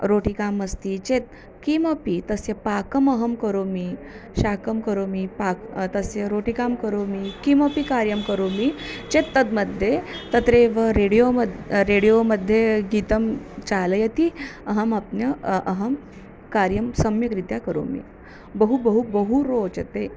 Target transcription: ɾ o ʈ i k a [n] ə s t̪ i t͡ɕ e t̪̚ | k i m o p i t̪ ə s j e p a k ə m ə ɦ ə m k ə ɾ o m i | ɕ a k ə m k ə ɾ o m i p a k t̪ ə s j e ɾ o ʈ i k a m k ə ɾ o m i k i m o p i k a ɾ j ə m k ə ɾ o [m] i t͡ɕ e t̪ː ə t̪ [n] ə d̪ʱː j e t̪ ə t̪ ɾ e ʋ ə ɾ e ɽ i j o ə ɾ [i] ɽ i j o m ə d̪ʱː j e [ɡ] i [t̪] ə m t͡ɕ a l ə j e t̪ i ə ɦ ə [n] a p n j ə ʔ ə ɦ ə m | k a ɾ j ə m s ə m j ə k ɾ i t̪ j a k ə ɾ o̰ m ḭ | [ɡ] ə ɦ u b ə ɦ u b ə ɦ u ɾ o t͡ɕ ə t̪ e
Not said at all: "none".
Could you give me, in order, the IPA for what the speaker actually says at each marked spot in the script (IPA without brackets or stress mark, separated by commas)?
m, m, m, e, ɡ, t̪, m, b